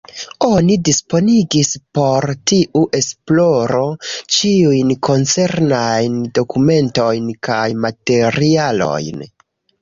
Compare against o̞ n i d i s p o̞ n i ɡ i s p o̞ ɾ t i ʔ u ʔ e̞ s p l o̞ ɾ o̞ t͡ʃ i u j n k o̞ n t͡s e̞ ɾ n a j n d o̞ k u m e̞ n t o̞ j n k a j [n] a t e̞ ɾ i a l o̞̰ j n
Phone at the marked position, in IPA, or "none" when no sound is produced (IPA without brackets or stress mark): m